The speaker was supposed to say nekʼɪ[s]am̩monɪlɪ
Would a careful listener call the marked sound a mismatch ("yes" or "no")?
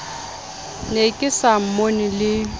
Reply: no